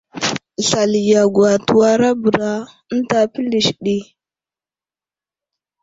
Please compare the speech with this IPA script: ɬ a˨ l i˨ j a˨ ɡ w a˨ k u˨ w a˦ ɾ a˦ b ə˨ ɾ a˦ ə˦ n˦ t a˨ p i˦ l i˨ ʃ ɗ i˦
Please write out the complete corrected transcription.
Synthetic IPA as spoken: ɬ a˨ l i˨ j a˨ ɡ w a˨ t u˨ w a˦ ɾ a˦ b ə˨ ɾ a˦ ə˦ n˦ t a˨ p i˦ l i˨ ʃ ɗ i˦